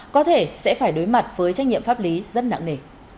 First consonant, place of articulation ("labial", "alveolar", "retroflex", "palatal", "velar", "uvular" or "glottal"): velar